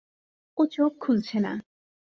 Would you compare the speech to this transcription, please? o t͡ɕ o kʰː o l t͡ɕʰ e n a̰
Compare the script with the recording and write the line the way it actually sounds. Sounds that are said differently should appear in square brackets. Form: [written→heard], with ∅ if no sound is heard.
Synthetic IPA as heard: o t͡ɕ o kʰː [o→u] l t͡ɕʰ e n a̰